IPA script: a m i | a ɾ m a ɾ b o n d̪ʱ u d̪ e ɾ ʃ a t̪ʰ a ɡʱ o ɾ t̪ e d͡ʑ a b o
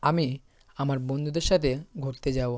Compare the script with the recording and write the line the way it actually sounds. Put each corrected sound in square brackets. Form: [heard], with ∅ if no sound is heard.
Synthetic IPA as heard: a m i | a [∅] m a ɾ b o n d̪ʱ u d̪ e ɾ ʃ a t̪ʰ [e] ɡʱ o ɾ t̪ e d͡ʑ a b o

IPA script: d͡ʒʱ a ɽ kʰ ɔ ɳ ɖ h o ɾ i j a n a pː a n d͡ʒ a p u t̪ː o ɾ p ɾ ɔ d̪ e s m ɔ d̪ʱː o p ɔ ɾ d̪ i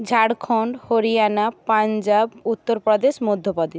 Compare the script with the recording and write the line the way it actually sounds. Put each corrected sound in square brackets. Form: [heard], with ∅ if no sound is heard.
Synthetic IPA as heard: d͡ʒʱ a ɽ kʰ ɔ ɳ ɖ h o ɾ i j a n a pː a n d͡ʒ a [b] u t̪ː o ɾ p ɾ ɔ d̪ e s m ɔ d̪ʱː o p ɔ [∅] d̪ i

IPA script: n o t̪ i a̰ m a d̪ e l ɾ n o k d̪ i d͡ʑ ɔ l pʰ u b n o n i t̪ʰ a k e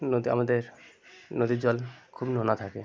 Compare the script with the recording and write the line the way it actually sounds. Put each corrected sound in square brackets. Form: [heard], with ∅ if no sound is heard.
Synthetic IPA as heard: n o [d̪] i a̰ m a d̪ e [∅] ɾ n o [∅] d̪ i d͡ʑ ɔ l [kʰ] u b n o n [a] t̪ʰ a k e

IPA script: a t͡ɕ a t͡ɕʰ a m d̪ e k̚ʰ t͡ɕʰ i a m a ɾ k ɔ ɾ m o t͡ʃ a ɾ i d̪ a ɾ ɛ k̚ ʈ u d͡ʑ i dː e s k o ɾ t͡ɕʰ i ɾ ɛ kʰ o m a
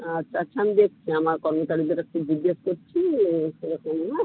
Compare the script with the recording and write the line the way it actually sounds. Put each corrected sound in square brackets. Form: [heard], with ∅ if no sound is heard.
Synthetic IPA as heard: a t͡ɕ a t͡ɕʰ a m d̪ e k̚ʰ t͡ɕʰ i a m a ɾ k ɔ ɾ m o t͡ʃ a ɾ i d̪ [e] ɾ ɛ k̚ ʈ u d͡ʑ i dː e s k o ɾ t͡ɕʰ i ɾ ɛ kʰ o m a

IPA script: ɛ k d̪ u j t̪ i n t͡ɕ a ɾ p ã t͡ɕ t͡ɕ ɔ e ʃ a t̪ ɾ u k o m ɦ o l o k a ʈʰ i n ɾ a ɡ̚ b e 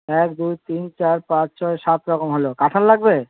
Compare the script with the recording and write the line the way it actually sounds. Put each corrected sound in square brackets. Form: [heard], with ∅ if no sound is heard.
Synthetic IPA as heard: ɛ k d̪ u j t̪ i n t͡ɕ a ɾ p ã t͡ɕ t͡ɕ ɔ e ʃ a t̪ ɾ [ɔ] k o m ɦ o l o k a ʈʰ [a] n [l] a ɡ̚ b e

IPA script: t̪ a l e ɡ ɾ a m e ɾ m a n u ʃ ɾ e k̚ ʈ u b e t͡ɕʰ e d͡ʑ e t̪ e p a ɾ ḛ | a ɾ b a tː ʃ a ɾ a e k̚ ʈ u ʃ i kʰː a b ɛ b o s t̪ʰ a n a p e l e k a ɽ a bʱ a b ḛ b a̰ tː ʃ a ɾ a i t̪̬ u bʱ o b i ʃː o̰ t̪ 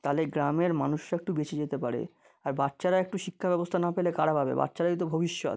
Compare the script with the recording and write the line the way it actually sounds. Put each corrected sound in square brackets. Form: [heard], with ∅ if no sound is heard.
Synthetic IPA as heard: t̪ a l e ɡ ɾ a m e ɾ m a n u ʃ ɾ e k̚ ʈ u b e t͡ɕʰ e d͡ʑ e t̪ e p a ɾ ḛ | a ɾ b a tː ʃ a ɾ a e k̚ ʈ u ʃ i kʰː a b ɛ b o s t̪ʰ a n a p e l e k a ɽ a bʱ a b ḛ b a̰ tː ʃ a ɾ a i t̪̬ [o] bʱ o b i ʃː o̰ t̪

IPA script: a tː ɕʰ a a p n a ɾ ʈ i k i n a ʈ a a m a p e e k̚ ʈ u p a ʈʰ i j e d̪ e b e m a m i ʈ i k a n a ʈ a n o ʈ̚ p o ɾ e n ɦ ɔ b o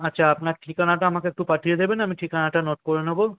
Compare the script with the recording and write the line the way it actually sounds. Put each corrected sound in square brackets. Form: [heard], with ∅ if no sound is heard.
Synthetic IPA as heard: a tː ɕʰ a a p n a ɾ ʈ i k [a] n a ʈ a a m a [k] e e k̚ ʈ u p a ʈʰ i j e d̪ e b e [n] a m i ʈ i k a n a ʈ a n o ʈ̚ [k] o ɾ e n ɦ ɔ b o

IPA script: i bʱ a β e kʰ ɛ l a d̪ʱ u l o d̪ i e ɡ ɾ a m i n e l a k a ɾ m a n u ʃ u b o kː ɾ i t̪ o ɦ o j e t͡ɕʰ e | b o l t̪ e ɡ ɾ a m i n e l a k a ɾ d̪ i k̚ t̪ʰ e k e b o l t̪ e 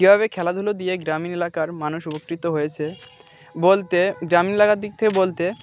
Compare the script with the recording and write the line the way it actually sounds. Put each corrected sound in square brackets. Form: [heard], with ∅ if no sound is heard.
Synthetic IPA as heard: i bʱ a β e kʰ ɛ l a d̪ʱ u l o d̪ i e ɡ ɾ a m i n e l a k a ɾ m a n u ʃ u b o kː ɾ i t̪ o ɦ o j e t͡ɕʰ e | b o l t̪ e ɡ ɾ a m i n e l a k a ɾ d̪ i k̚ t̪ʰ e k e b o l t̪ e

